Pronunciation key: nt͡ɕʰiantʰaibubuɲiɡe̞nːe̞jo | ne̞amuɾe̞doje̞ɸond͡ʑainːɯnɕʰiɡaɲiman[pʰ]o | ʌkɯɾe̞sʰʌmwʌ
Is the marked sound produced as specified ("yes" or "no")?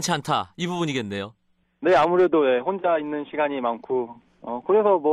no